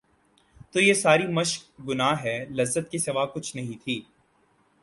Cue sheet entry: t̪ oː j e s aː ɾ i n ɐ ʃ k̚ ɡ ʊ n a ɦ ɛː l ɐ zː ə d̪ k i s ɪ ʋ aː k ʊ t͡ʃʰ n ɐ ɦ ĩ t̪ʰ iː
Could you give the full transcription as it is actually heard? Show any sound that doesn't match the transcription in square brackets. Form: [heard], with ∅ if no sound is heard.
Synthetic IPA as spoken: t̪ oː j e s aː ɾ i [m] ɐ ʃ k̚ ɡ ʊ n a ɦ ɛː l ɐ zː ə [t̪] k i s ɪ ʋ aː k ʊ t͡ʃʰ n ɐ ɦ ĩ t̪ʰ iː